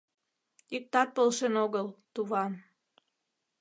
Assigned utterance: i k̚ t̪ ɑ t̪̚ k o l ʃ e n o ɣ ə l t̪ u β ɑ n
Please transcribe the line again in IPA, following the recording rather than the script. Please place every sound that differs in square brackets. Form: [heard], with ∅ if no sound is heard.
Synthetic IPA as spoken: i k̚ t̪ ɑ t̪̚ [p] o l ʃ e n o ɣ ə l t̪ u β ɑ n